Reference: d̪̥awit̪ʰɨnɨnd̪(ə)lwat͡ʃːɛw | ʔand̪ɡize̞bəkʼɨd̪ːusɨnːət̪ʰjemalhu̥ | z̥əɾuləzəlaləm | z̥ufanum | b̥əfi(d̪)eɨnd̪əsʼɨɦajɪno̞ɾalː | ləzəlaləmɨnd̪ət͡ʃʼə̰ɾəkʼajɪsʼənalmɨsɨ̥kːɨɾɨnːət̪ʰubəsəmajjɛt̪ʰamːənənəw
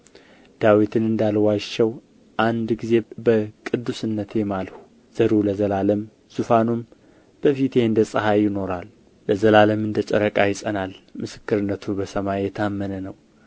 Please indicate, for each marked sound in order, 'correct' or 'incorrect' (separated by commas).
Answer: incorrect, incorrect